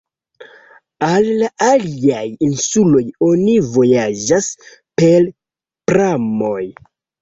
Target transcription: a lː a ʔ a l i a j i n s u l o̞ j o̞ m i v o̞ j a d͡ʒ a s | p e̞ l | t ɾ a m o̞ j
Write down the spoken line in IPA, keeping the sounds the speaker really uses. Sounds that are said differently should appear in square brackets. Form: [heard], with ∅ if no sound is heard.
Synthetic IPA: a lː a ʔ a l i a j i n s u l o̞ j o̞ [n] i v o̞ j a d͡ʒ a s | p e̞ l | [p] ɾ a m o̞ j